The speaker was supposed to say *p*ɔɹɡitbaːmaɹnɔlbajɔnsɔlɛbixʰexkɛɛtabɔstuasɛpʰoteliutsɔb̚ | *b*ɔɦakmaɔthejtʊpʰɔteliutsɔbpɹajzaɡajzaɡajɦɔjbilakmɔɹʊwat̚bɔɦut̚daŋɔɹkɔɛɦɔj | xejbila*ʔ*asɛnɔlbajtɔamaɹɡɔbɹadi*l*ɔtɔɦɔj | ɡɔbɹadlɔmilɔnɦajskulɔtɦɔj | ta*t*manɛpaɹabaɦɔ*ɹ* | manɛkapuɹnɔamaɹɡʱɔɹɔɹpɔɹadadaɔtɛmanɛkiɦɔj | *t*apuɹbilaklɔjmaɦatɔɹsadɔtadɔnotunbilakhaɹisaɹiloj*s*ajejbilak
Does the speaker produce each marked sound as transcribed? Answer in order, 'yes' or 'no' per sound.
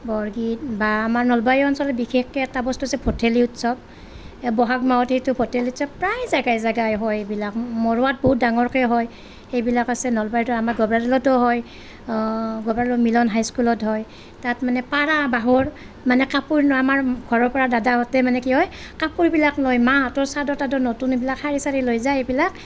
no, yes, no, yes, yes, yes, no, no

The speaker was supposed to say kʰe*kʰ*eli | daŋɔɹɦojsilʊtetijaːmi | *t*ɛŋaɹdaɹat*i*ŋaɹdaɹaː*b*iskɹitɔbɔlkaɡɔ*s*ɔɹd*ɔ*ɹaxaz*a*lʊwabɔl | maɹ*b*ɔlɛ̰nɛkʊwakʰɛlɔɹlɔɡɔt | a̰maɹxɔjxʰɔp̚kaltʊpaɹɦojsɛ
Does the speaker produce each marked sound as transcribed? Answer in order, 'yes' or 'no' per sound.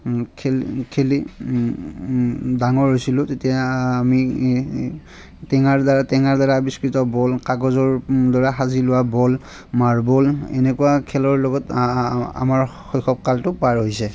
yes, yes, no, yes, no, yes, no, yes

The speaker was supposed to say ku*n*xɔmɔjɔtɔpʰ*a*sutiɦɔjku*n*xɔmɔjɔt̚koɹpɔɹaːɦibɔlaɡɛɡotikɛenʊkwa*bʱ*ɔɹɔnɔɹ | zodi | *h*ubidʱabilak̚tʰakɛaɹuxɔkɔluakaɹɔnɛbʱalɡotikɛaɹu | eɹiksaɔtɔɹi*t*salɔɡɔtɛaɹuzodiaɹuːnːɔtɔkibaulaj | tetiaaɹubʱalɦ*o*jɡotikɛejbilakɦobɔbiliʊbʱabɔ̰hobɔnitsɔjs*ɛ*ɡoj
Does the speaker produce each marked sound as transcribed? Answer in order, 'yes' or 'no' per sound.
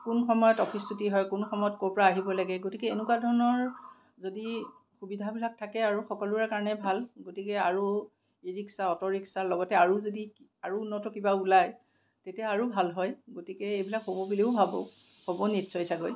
yes, no, yes, no, no, no, no, no

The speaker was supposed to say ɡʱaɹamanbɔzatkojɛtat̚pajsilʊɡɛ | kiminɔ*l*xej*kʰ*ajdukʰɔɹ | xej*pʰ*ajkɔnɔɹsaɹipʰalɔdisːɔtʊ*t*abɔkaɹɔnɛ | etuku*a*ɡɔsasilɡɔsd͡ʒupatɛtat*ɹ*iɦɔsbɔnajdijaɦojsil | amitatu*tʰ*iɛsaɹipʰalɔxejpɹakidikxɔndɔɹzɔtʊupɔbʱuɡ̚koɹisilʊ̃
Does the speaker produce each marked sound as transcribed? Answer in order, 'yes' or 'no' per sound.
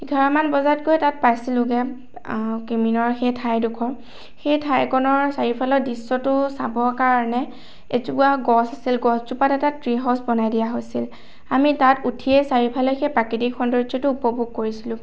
no, no, no, no, yes, yes, yes

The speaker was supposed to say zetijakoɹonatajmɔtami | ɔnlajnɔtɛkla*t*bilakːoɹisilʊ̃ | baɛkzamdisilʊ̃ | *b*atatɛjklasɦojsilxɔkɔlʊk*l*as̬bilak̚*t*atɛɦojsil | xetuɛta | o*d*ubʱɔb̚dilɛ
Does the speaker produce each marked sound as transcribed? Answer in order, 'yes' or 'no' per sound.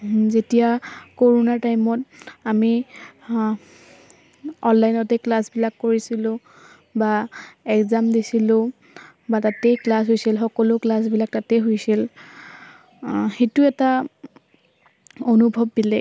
no, yes, yes, yes, no

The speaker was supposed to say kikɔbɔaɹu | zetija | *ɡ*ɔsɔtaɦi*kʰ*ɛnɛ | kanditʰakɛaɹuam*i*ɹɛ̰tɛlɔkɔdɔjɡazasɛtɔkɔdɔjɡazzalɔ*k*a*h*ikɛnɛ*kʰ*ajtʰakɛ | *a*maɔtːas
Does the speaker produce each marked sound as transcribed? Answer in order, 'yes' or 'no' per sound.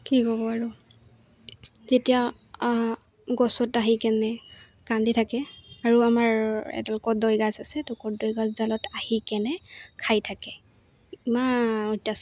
yes, no, no, no, yes, yes, no

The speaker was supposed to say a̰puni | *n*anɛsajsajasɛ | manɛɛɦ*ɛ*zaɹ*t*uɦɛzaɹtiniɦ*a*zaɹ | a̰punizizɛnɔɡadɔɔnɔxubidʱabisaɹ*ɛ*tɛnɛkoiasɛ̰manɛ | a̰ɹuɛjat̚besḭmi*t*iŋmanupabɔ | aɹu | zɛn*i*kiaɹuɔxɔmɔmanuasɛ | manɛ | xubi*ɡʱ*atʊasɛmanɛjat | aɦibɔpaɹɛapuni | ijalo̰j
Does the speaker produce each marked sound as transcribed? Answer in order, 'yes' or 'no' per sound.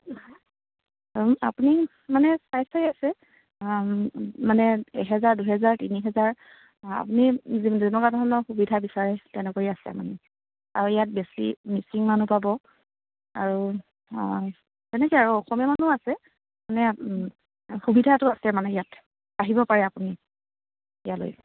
no, yes, no, no, yes, no, no, no

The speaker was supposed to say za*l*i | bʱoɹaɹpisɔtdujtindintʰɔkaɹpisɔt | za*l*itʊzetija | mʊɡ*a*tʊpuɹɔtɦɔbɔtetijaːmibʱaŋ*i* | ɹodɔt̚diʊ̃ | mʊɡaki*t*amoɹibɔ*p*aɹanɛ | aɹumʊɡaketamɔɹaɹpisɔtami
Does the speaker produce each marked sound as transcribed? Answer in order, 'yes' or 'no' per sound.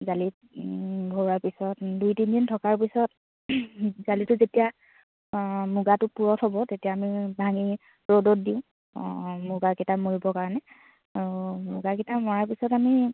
yes, yes, yes, yes, yes, no

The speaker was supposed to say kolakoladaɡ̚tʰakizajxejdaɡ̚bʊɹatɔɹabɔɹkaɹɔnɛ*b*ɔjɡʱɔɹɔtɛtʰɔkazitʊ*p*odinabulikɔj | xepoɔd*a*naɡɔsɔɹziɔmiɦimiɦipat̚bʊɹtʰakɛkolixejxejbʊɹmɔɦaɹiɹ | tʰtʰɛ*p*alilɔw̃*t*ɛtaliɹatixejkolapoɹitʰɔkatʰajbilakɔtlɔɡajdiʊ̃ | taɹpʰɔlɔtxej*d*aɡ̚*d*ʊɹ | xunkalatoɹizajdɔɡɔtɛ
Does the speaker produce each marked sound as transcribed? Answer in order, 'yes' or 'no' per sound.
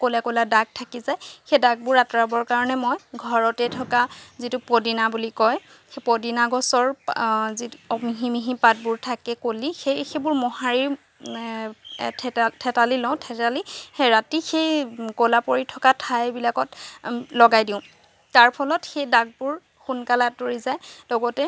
no, yes, no, no, no, yes, no

